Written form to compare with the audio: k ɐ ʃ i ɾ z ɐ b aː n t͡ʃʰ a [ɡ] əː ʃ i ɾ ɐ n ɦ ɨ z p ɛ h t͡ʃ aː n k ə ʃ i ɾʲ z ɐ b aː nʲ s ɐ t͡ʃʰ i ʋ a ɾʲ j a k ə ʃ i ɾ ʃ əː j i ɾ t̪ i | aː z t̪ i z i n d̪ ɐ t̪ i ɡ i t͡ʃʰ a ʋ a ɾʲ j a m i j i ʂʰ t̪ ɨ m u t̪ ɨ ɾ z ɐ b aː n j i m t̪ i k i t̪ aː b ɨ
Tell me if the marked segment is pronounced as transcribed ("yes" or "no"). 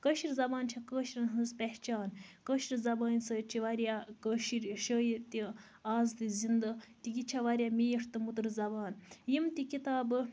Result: no